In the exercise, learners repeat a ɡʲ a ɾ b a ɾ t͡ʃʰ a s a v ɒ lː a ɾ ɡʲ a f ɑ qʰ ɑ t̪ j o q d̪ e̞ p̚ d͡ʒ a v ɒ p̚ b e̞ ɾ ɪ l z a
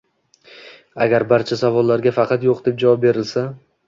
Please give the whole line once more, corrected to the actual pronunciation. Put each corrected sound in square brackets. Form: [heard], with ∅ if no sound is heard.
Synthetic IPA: a ɡʲ a ɾ b a ɾ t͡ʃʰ a s a v ɒ lː a ɾ ɡʲ a f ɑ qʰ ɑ t̪ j o q d̪ e̞ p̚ d͡ʒ a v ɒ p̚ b e̞ ɾ ɪ l [s] a

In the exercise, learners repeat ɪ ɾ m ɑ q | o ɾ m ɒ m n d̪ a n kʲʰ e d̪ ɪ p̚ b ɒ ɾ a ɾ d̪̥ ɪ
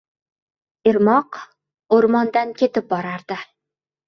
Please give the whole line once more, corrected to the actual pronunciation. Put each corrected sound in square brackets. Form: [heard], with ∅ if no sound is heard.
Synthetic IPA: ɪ ɾ m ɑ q | o ɾ m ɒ [∅] n d̪ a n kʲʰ e [t̪] ɪ p̚ b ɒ ɾ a ɾ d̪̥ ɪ

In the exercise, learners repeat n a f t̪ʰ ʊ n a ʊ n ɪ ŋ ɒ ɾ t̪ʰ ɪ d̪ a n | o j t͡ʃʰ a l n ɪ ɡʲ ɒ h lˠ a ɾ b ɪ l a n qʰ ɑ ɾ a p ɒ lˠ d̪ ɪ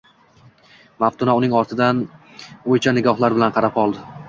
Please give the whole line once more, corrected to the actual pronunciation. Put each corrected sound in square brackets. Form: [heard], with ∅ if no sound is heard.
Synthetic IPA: [m] a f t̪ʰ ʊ n a ʊ n ɪ ŋ ɒ ɾ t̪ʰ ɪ d̪ a n | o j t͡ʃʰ a [∅] n ɪ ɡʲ ɒ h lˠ a ɾ b ɪ l a n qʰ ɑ ɾ a p ɒ lˠ d̪ ɪ

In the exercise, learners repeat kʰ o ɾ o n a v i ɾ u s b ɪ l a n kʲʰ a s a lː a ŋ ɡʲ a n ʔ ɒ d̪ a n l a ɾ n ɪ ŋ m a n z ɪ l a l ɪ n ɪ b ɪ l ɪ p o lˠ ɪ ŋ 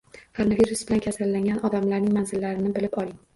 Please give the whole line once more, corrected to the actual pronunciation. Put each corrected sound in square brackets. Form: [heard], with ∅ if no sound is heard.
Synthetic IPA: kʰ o ɾ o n a v i ɾ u s b ɪ l a n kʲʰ a s a lː a ŋ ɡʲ a n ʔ ɒ d̪ a [m] l a ɾ n ɪ ŋ m a n z ɪ [lː] a [ɾ] ɪ n ɪ b ɪ l ɪ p [ɒ] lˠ ɪ ŋ

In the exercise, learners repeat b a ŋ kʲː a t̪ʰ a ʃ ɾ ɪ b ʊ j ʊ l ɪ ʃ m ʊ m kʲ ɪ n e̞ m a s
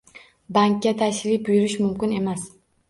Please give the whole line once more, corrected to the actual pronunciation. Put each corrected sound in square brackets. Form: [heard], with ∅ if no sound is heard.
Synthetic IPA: b a ŋ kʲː a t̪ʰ a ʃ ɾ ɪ b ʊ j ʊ [ɾ] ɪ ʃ m ʊ m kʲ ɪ n e̞ m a s

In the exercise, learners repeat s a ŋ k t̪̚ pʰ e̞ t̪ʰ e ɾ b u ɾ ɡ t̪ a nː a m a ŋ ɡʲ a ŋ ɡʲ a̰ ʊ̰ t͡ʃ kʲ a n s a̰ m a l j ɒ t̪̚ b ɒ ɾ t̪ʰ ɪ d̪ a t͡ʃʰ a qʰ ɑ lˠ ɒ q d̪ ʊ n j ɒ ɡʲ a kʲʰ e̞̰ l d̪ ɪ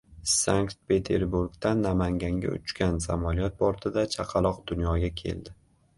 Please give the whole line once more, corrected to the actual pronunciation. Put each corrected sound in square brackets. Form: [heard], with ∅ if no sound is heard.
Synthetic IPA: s a ŋ k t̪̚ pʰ e̞ t̪ʰ e ɾ b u ɾ ɡ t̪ a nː a m a ŋ ɡʲ a ŋ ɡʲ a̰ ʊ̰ t͡ʃ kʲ a n s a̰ m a l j ɒ t̪̚ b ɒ ɾ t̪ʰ ɪ d̪ a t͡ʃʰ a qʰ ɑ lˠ ɒ q d̪ ʊ n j ɒ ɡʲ a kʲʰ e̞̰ l d̪ ɪ

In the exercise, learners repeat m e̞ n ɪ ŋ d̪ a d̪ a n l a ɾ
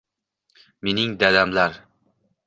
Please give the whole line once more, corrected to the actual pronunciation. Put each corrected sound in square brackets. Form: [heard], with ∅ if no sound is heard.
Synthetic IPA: m e̞ n ɪ ŋ d̪ a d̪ a [m] l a ɾ

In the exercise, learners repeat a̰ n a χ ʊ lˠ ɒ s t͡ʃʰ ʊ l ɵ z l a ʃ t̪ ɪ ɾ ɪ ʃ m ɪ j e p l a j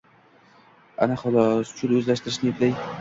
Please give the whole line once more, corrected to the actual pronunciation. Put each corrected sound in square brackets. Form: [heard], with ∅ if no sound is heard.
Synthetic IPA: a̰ n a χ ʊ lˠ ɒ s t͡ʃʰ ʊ l ɵ z l a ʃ t̪ ɪ ɾ ɪ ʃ [n] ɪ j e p l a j

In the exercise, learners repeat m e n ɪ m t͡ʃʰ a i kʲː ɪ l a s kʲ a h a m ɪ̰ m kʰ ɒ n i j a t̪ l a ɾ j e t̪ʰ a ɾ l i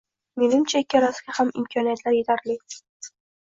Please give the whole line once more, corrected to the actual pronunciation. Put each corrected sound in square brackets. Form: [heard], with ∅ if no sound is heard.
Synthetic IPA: m e n ɪ m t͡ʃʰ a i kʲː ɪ [ɾ] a s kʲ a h a m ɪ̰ m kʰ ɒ n i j a t̪ l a ɾ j e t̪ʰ a ɾ l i

